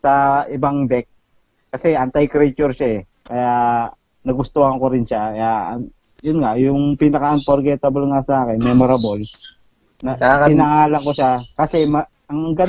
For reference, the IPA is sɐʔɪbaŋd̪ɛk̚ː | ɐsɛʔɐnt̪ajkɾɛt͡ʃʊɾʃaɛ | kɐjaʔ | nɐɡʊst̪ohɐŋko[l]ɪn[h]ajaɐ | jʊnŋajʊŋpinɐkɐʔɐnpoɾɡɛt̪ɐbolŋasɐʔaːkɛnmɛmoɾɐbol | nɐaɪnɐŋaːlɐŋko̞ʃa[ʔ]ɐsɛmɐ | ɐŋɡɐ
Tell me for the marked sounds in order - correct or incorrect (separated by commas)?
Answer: incorrect, incorrect, incorrect